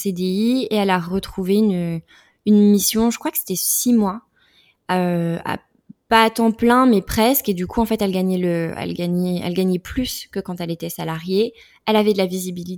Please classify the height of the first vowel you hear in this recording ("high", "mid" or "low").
mid